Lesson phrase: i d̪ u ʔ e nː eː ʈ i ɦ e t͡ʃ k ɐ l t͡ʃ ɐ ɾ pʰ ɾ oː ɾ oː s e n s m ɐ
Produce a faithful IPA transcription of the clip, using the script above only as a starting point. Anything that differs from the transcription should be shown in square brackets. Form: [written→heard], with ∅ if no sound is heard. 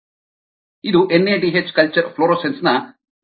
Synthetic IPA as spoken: i d̪ u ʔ e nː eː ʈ i ɦ e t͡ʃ k ɐ l t͡ʃ ɐ ɾ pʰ [ɾ→l] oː ɾ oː s e n s [m→n] ɐ